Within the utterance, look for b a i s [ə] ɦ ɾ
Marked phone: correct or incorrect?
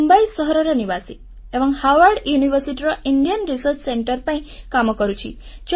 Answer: correct